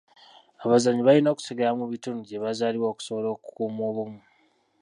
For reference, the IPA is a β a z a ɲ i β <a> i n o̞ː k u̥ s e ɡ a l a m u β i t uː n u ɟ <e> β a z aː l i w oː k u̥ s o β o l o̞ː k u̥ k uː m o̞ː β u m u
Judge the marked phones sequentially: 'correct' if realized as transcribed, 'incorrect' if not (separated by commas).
correct, correct